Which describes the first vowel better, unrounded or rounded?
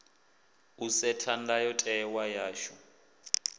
rounded